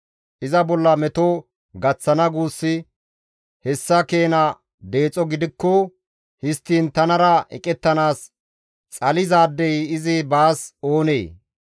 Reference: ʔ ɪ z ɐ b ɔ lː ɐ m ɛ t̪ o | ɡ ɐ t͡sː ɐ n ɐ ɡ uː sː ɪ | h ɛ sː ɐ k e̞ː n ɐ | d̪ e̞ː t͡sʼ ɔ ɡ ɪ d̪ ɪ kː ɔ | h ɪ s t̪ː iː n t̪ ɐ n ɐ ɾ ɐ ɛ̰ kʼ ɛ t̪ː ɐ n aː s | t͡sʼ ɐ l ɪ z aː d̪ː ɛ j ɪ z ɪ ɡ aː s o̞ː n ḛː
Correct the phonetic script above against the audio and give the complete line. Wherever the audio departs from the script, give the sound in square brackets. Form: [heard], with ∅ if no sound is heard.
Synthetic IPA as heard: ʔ ɪ z ɐ b ɔ lː ɐ m ɛ t̪ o | ɡ ɐ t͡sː ɐ n ɐ ɡ uː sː ɪ | h ɛ sː ɐ k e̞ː n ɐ | d̪ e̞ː t͡sʼ ɔ ɡ ɪ d̪ ɪ kː ɔ | h ɪ s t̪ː iː n t̪ ɐ n ɐ ɾ ɐ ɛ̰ kʼ ɛ t̪ː ɐ n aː s | t͡sʼ ɐ l ɪ z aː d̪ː ɛ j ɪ z ɪ [b] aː s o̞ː n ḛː